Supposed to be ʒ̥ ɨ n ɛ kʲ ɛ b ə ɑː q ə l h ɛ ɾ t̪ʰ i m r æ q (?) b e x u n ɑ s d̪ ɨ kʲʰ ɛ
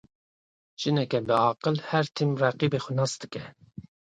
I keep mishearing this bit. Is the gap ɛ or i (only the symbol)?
i